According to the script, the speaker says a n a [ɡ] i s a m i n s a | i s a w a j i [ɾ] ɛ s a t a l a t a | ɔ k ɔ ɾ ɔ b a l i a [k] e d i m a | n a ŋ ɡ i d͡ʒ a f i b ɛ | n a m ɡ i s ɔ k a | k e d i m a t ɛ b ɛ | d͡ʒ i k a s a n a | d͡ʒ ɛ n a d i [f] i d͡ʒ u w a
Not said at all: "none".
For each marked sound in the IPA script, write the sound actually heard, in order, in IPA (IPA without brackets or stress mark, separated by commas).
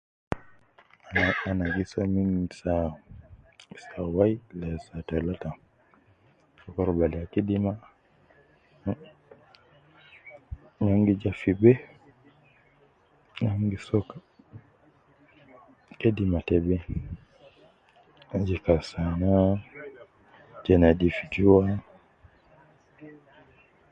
ɡ, l, k, f